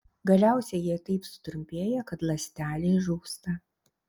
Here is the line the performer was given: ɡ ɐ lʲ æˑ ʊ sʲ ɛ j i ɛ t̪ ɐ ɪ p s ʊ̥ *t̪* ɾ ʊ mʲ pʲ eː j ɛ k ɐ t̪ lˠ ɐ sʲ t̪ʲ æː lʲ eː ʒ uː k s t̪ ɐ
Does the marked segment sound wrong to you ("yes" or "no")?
no